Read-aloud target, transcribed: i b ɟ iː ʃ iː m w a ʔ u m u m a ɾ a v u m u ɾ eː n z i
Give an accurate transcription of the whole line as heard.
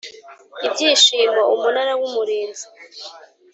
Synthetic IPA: i b ɟ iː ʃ iː m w a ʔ u m u n a ɾ a w u m u ɾ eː n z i

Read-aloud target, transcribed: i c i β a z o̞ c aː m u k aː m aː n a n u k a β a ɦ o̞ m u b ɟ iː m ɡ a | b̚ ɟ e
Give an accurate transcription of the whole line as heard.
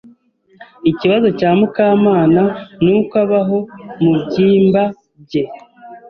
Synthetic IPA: i c i β a z o̞ c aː m u k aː m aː n a n u k a β a ɦ o̞ m u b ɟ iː m b a | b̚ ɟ e

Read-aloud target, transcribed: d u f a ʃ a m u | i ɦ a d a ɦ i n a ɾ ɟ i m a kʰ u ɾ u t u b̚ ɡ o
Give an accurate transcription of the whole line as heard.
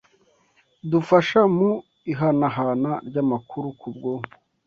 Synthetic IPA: d u f a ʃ a m u | i ɦ a n a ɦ a n a ɾ ɟ a m a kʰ u ɾ u k u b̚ ɡ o

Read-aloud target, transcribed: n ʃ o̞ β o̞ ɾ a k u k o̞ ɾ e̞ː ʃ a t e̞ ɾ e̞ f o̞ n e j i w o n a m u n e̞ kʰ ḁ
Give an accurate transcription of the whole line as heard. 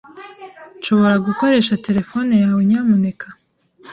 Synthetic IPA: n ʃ o̞ β o̞ ɾ a ɡ u k o̞ ɾ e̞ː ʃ a t e̞ ɾ e̞ f o̞ n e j a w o ɲ a m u n e̞ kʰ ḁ

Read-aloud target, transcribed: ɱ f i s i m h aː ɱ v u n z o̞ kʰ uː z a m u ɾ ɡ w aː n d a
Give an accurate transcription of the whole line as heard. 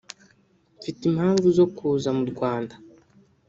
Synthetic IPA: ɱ f i t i m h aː ɱ v u z o̞ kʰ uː z a m u ɾ ɡ w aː n d a

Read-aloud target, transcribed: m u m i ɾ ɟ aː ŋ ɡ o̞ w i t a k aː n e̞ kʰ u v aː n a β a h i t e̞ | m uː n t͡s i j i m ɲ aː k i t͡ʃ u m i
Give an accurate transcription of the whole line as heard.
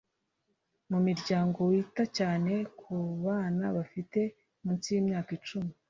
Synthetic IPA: m u m i ɾ ɟ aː ŋ ɡ o̞ w i t a c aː n e̞ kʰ u β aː n a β a f i t e̞ | m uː n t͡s i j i m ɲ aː k i t͡ʃ u m i

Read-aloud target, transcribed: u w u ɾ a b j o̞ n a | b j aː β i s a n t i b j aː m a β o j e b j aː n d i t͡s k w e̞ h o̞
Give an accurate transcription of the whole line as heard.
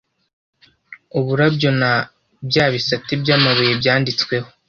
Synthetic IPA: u β u ɾ a b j o̞ n a | b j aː β i s a t i b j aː m a β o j e b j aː n d i t͡s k w e̞ h o̞

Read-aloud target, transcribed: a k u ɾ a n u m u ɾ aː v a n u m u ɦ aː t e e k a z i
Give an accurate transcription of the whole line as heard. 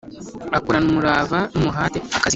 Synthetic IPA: a k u ɾ a n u m u ɾ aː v a n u m u ɦ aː t e a k a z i

